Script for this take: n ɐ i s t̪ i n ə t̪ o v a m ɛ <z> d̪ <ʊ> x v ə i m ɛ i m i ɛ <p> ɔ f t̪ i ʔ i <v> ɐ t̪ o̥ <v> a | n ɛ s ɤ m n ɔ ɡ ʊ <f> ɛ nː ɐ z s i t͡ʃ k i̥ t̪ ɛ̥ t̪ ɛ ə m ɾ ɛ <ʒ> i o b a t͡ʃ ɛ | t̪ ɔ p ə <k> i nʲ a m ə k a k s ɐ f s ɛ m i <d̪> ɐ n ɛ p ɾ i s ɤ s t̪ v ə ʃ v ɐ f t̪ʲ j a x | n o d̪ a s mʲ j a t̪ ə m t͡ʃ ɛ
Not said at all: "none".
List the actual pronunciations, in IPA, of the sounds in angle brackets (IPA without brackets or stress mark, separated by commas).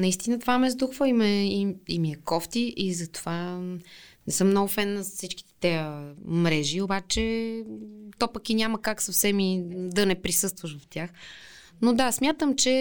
z, u, k, z, v, f, ʒ, k, d̪